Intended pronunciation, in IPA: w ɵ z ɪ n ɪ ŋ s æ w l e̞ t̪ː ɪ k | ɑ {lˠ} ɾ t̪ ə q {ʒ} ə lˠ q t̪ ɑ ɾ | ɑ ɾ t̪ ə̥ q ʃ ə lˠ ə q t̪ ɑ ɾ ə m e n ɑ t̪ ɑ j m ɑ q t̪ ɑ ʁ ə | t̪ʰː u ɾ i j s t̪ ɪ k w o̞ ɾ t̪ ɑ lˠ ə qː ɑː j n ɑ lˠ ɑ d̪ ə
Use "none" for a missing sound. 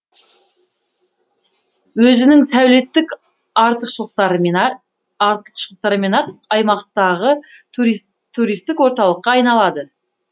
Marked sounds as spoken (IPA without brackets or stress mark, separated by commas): none, ʃ